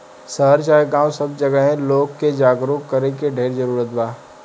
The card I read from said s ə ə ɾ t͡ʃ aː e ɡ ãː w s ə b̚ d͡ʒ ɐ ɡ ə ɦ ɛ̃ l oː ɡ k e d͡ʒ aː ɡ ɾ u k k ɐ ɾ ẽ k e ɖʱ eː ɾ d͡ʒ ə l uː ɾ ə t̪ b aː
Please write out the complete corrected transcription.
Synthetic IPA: s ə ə ɾ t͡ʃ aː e ɡ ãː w s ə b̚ d͡ʒ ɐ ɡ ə ɦ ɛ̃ l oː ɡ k e d͡ʒ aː ɡ ɾ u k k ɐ ɾ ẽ k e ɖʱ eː ɾ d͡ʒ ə ɾ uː ɾ ə t̪ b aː

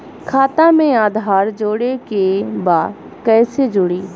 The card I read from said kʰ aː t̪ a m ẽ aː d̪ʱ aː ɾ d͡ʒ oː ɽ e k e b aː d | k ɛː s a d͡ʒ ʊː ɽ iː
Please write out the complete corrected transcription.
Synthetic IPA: kʰ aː t̪ a m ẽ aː d̪ʱ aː ɾ d͡ʒ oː ɽ e k e b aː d | k ɛː s e d͡ʒ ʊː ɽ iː

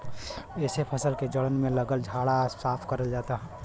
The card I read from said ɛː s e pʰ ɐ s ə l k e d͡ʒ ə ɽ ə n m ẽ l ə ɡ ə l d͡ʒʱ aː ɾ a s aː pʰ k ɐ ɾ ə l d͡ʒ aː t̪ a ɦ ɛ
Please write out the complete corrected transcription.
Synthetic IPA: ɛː s e pʰ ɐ s ə l k e d͡ʒ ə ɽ ə n m ẽ l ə ɡ ə l d͡ʒʱ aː ɽ a s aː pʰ k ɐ ɾ ə l d͡ʒ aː t̪ a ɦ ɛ

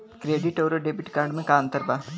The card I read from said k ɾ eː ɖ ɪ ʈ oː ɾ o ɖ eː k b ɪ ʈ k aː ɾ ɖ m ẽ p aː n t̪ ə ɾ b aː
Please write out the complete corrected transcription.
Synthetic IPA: k ɾ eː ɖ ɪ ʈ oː ɾ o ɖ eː b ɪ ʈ k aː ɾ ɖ m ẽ k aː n t̪ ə ɾ b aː

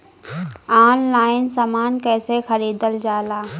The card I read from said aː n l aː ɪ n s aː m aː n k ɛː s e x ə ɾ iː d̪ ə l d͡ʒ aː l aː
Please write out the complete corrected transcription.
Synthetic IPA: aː n l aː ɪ n s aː m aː n k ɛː s e x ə ɾ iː d̪ ə l d͡ʒ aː l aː

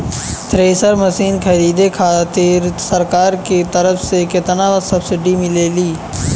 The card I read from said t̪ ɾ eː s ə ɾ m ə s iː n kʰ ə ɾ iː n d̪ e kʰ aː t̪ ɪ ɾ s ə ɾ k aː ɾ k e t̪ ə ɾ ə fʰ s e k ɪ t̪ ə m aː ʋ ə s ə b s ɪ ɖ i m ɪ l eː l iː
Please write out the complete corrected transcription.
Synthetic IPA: t̪ ɾ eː s ə ɾ m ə s iː n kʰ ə ɾ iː d̪ e kʰ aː t̪ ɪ ɾ s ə ɾ k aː ɾ k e t̪ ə ɾ ə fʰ s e k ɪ t̪ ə n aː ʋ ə s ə b s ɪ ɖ i m ɪ l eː l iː

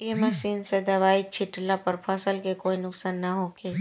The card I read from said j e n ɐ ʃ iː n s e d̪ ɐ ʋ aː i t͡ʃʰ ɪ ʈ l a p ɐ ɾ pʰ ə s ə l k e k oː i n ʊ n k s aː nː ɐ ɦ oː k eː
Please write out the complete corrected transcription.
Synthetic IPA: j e m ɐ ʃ iː n s e d̪ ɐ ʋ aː i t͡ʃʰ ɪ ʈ l a p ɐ ɾ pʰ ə s ə l k e k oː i n ʊ k s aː nː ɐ ɦ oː k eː

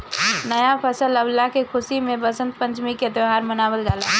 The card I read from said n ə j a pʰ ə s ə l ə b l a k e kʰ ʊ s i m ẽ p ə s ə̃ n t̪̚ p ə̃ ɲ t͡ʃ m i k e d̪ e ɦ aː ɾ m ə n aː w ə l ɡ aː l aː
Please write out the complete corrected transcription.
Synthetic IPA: n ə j a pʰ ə s ə l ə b l a k e kʰ ʊ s i m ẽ b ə s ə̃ n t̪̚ p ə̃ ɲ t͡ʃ m i k e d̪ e ɦ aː ɾ m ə n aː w ə l ɡ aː l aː

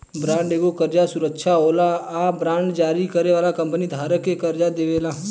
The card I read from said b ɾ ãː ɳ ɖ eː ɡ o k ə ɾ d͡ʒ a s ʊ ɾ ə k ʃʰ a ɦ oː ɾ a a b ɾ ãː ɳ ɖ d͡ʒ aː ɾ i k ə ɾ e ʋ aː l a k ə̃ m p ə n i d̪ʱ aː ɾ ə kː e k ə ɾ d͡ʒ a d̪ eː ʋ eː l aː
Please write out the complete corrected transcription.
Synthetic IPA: b ɾ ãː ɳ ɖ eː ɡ o k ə ɾ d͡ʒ a s ʊ ɾ ə k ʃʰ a ɦ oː l a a b ɾ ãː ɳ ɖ d͡ʒ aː ɾ i k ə ɾ e ʋ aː l a k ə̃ m p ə n i d̪ʱ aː ɾ ə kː e k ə ɾ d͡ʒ a d̪ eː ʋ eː l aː

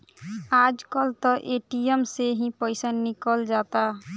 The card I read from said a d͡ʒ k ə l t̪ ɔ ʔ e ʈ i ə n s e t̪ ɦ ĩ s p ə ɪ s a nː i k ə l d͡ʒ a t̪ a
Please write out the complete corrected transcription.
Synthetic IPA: a d͡ʒ k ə l t̪ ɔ ʔ e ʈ i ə m s e ɦ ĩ p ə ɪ s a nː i k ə l d͡ʒ a t̪ a

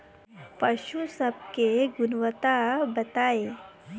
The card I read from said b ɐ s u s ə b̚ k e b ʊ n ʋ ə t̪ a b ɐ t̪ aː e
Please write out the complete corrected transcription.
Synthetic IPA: p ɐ ʃ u s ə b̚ k e ɡ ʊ n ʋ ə t̪ a b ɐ t̪ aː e

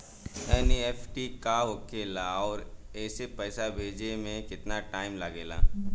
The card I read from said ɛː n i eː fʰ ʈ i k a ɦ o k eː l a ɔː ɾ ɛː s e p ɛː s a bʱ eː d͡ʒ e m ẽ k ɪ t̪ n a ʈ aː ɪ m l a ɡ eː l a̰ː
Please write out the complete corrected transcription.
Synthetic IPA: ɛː n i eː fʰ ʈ i k a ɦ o k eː l a ɔː ɾ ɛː s e p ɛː s a bʱ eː d͡ʒ e m ẽ k ɪ t̪ n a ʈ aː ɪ m l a ɡ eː l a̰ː

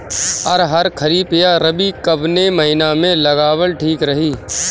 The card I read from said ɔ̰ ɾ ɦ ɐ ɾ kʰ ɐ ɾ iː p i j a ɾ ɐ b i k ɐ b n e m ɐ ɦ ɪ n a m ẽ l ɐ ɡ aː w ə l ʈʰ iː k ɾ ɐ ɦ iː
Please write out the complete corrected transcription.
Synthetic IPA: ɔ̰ ɾ ɦ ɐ ɾ kʰ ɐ ɾ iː p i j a ɾ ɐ b i k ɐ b n e m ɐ ɦ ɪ n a m ẽ l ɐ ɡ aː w ə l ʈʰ iː k ɾ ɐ ɦ iː

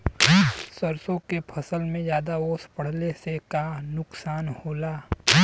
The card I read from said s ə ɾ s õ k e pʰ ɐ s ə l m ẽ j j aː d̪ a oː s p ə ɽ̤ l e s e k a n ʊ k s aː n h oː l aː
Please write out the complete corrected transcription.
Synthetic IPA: s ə ɾ s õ k e pʰ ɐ s ə l m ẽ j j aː d̪ a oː s p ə ɽ̤ l e s e k a n ʊ k s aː n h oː l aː

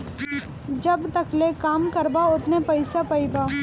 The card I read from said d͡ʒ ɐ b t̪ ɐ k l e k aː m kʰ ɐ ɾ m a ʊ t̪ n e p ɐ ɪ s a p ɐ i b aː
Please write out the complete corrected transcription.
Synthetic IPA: d͡ʒ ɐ b t̪ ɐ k l e k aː m k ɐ ɾ b a ʊ t̪ n e p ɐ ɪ s a p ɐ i b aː

